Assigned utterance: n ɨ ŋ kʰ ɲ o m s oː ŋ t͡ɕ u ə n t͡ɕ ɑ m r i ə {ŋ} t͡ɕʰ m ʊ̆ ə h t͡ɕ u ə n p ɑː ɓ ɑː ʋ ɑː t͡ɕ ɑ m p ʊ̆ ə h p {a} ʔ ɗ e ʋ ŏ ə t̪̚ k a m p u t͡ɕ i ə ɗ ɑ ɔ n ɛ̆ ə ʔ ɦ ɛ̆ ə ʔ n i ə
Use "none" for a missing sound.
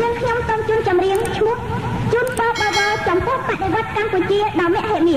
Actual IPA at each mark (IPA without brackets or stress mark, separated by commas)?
ŋ, a